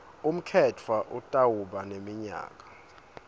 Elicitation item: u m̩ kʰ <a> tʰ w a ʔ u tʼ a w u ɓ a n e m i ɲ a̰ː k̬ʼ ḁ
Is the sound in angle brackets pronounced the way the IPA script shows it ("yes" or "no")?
no